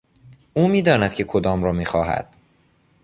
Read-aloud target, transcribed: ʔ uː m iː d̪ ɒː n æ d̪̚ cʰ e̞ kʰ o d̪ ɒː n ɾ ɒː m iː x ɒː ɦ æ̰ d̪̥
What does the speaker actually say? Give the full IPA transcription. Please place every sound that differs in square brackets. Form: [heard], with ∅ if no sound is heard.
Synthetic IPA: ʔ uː m iː d̪ ɒː n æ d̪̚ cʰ e̞ kʰ o d̪ ɒː [m] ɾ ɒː m iː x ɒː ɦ æ̰ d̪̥